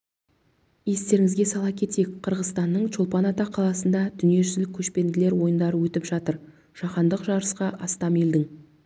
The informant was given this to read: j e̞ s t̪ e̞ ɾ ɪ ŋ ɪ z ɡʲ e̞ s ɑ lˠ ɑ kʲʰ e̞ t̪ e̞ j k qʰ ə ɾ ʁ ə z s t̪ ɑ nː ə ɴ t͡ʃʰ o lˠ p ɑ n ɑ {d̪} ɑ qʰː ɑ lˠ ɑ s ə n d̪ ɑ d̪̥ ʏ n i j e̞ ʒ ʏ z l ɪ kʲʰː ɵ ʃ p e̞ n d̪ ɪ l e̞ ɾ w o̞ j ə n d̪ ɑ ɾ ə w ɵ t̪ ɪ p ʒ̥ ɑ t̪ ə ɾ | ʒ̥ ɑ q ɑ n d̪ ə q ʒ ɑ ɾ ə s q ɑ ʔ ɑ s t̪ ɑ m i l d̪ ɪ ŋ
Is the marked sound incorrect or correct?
incorrect